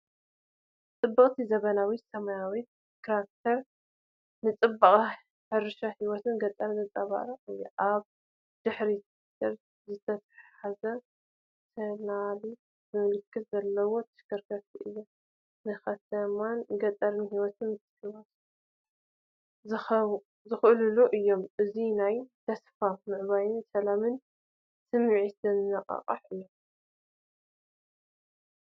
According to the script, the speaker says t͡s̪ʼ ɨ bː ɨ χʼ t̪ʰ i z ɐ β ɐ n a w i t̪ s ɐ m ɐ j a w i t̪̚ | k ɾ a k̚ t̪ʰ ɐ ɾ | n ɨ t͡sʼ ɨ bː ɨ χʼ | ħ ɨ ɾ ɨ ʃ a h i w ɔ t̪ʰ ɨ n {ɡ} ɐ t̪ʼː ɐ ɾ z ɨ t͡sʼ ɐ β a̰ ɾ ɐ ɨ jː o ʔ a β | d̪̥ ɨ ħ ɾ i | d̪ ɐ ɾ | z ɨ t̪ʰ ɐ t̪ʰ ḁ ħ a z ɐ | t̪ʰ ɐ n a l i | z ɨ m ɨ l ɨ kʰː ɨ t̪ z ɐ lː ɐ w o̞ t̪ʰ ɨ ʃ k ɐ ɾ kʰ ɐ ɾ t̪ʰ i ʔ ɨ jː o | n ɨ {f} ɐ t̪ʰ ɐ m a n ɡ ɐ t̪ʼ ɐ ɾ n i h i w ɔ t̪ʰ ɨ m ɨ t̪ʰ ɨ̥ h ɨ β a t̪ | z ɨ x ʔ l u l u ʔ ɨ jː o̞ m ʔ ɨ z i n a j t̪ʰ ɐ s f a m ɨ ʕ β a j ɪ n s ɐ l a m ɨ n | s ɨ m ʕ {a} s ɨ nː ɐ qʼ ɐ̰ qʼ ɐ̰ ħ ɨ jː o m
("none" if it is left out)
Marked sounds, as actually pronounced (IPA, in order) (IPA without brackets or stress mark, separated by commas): ɡ, x, i